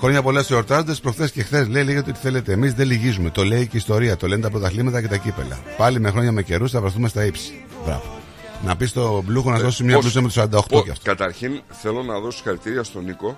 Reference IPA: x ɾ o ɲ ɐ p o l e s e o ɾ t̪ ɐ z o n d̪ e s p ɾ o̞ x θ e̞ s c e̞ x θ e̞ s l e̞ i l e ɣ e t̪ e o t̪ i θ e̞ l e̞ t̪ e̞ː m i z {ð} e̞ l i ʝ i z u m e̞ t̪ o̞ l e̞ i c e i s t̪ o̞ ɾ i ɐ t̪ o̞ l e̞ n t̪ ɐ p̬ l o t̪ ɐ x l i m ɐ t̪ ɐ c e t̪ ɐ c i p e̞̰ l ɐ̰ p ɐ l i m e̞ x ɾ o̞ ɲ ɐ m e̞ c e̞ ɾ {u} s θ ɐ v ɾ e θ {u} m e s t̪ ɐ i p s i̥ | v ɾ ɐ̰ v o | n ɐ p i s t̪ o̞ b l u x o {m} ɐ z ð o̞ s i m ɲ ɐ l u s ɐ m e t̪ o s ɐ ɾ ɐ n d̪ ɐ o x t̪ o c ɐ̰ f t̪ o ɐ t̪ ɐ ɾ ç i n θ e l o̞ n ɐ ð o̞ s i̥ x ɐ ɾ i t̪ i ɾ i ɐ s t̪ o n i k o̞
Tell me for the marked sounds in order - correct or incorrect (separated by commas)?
correct, correct, correct, incorrect